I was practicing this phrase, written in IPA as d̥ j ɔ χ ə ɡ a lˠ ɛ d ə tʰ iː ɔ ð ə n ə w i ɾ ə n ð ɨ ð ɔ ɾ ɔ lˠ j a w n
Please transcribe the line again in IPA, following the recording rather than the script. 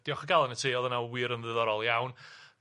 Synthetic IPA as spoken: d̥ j ɔ χ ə ɡ a lˠ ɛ n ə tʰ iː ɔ ð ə n a w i ɾ ə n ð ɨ ð ɔ ɾ ɔ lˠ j a w n